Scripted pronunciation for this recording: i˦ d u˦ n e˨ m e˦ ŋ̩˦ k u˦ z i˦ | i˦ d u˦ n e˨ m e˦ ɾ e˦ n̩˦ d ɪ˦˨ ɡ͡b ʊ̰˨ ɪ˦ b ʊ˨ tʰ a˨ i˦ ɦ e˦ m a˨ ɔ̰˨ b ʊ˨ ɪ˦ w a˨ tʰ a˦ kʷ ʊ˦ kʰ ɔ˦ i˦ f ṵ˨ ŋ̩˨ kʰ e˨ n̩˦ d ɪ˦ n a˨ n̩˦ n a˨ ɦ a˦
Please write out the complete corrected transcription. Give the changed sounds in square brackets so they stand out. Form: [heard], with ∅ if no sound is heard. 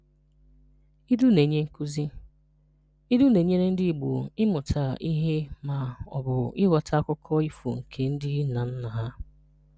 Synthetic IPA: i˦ d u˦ n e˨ [ɲ] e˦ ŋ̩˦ k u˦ z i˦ | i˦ d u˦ n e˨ [ɲ] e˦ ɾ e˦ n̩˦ d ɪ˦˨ ɡ͡b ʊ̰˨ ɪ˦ [m] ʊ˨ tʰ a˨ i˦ ɦ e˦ m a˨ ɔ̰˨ b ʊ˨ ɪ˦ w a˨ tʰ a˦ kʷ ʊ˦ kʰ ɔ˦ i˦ f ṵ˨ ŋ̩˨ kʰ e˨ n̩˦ d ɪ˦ n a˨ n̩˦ n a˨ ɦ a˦